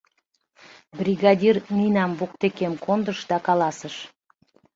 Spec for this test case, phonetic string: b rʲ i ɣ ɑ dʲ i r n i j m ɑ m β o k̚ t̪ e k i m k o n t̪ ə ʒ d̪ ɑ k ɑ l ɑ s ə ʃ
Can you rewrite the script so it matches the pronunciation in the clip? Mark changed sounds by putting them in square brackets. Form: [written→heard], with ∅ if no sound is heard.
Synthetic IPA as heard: b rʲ i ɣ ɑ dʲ i r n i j [m→n] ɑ m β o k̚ t̪ e k [i→e] m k o n [t̪→d̪] ə [ʒ→ʃ] d̪ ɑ k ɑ l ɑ s ə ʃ